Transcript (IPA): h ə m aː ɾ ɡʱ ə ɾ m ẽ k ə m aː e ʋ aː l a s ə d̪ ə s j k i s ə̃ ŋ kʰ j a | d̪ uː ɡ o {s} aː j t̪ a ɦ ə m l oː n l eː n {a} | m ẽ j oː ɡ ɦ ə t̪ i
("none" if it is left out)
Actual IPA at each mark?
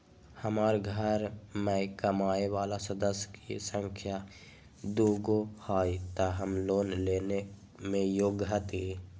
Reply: h, e

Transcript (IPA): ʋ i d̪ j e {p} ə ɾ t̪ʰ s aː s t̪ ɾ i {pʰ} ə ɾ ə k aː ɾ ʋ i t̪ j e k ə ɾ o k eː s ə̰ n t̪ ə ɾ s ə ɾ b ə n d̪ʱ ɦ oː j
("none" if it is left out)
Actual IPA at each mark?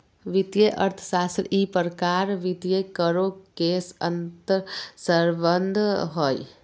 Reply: ʔ, p

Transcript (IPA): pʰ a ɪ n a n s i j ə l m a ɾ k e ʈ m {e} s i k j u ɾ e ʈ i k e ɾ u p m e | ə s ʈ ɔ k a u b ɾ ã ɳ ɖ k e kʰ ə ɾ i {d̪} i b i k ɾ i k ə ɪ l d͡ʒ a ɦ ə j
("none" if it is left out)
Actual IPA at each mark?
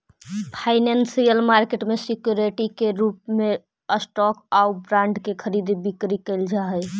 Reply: e, d̪

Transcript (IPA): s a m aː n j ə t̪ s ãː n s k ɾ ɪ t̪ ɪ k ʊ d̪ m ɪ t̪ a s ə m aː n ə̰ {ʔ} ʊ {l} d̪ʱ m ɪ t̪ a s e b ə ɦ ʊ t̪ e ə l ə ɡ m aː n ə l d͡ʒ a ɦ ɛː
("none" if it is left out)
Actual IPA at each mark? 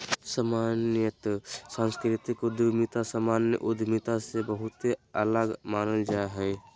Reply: ʔ, none

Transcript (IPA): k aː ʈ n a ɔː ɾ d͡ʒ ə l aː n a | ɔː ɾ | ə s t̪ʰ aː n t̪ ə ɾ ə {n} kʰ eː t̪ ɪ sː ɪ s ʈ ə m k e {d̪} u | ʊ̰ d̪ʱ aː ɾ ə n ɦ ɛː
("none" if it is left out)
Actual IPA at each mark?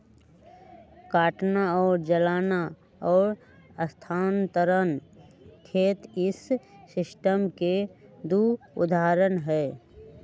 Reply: n, d̪

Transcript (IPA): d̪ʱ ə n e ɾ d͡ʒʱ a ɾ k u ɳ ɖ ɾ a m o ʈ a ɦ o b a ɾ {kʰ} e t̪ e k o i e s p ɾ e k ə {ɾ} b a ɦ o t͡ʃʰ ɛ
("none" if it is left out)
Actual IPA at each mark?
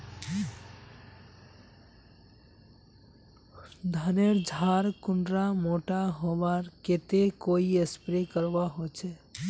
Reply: k, ɾ

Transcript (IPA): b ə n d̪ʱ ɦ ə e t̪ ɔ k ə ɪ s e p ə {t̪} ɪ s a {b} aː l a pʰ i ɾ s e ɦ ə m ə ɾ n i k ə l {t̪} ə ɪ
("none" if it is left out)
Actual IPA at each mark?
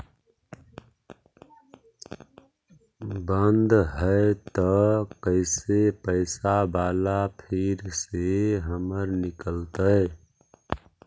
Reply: none, b, t̪

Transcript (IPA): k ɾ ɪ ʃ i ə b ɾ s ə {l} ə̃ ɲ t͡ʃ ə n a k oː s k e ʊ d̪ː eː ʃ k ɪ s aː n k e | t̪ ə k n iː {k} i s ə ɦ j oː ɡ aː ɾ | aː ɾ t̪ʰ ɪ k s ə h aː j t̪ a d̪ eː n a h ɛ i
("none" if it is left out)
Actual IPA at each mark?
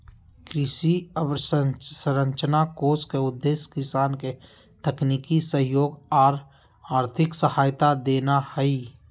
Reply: ɾ, k

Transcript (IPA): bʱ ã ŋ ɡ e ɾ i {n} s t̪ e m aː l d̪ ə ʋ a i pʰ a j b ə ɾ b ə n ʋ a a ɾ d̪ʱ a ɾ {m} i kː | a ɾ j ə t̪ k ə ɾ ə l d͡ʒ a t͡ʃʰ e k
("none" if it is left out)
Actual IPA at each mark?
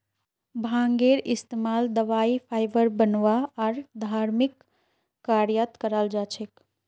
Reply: none, m

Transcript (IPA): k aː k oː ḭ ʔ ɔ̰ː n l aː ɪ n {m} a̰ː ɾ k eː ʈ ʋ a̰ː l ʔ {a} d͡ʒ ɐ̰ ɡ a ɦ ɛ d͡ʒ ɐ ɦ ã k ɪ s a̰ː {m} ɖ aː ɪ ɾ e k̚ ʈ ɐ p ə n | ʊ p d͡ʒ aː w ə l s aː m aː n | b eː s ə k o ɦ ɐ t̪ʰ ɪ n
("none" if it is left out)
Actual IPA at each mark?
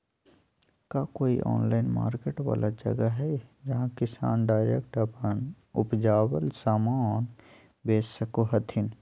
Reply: m, a, n

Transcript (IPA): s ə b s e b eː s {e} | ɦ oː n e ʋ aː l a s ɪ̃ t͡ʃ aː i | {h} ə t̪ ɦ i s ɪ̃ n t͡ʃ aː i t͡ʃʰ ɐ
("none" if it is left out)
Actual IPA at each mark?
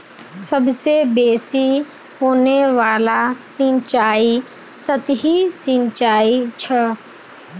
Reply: i, s

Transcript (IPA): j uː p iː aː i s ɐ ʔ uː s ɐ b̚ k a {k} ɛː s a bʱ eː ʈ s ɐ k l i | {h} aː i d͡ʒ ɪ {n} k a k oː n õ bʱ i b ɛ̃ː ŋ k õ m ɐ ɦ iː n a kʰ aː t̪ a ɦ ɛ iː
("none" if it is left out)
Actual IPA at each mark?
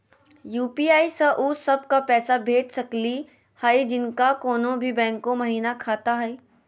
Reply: p, h, n

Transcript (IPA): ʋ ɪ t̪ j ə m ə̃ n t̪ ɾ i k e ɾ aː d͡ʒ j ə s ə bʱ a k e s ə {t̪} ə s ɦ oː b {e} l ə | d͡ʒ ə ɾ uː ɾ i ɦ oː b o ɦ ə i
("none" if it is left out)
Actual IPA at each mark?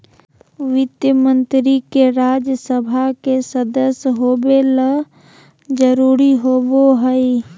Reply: d̪, e

